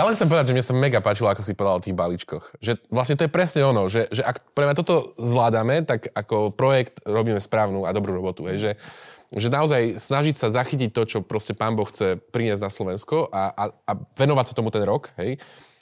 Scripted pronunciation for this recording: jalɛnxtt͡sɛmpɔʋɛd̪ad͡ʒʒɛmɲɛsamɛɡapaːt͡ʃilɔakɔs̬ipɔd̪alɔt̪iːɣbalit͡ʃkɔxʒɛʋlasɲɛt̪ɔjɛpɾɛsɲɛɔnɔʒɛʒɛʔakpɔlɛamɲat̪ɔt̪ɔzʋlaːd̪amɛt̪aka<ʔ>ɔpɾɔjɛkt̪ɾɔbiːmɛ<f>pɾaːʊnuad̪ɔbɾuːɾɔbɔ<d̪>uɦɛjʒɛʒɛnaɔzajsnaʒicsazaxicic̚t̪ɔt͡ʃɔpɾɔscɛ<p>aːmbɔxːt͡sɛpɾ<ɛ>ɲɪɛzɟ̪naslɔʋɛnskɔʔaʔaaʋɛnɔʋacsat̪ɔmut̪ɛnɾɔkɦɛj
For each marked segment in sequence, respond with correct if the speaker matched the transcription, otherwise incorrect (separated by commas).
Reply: incorrect, incorrect, incorrect, correct, incorrect